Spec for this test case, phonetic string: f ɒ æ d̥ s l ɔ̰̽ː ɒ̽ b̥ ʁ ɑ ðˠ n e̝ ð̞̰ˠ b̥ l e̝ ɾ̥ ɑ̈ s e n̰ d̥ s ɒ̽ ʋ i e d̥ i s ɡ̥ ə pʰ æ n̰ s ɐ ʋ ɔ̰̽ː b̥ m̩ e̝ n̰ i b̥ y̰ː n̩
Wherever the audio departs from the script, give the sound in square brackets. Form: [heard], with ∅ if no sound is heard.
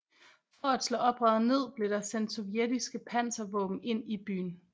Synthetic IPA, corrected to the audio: f ɒ æ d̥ s l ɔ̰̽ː ɒ̽ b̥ ʁ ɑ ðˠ n e̝ ð̞̰ˠ b̥ l e̝ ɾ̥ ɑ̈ s e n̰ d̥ s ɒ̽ ʋ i e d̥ i s ɡ̥ ə pʰ æ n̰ s ɐ ʋ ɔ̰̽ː b̥ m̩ e̝ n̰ i b̥ y̰ː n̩